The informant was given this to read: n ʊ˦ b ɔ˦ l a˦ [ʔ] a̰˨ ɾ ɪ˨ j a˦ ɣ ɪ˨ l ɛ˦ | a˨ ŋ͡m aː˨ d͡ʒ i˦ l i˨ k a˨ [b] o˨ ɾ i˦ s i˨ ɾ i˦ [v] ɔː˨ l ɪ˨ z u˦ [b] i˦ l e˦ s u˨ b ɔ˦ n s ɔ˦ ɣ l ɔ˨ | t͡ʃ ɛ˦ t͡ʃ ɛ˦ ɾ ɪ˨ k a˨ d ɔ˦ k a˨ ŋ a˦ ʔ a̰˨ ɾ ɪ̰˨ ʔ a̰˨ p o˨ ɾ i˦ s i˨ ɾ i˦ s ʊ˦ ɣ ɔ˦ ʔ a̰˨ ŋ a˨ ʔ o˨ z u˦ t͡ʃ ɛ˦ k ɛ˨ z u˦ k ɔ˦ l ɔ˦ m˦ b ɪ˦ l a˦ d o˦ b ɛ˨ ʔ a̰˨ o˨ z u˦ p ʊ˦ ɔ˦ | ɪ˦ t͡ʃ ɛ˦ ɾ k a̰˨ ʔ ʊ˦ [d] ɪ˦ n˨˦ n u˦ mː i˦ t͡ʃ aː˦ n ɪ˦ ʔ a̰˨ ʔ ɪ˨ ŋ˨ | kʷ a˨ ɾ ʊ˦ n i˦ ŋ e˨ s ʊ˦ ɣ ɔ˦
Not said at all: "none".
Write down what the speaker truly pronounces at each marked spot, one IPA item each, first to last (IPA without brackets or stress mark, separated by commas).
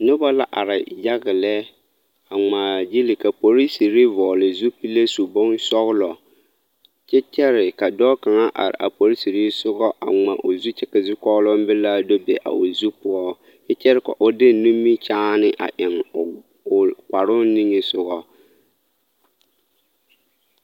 ʔ, p, v, p, d